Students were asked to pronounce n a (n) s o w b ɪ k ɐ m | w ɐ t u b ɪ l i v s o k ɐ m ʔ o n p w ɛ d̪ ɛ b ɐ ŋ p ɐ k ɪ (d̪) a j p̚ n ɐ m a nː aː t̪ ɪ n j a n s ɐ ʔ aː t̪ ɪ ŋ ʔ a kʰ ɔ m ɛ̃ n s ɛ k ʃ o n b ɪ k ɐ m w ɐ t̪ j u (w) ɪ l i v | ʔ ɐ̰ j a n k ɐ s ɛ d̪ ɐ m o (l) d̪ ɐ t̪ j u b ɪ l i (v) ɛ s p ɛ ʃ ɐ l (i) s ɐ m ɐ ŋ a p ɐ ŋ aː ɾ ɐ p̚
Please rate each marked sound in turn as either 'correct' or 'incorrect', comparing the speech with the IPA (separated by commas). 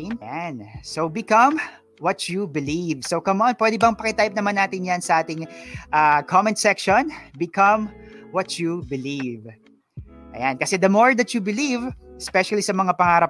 correct, incorrect, incorrect, incorrect, correct, correct